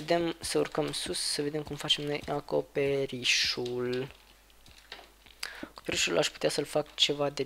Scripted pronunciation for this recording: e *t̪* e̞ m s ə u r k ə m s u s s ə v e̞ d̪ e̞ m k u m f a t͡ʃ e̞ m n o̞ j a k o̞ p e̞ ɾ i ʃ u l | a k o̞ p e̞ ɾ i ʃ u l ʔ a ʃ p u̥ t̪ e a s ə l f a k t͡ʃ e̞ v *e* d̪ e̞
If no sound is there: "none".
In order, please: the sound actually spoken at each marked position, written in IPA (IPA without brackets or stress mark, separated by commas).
d̪, a